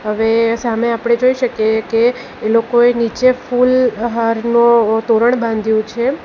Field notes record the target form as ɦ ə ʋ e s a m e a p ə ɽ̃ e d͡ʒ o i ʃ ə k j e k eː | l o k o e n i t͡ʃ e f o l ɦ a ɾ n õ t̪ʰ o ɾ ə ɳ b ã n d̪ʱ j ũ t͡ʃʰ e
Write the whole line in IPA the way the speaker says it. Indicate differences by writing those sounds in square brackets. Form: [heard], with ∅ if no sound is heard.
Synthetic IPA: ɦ ə ʋ e s a m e a p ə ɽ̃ e d͡ʒ o i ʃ ə k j e k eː | l o k o e n i t͡ʃ e f [u] l ɦ a ɾ n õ [t̪] o ɾ ə ɳ b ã n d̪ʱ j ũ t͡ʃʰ e

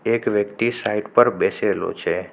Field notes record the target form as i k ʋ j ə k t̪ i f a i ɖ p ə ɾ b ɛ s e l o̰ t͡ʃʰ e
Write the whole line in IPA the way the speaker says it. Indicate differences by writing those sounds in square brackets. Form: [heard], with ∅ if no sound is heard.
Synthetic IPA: [e] k ʋ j ə k t̪ i [s] a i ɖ p ə ɾ b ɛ s e l o̰ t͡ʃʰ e

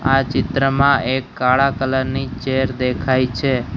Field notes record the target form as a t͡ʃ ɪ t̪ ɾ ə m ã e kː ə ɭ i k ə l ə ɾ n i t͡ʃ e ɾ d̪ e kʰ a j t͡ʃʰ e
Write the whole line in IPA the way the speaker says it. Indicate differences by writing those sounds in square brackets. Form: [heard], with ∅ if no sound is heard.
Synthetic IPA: a t͡ʃ ɪ t̪ ɾ ə m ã e kː [a] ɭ [a] k ə l ə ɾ n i t͡ʃ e ɾ d̪ e kʰ a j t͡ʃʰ e

